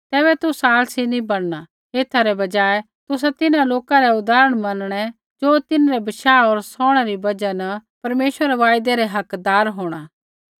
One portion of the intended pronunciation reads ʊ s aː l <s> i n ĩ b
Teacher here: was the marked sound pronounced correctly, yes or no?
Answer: yes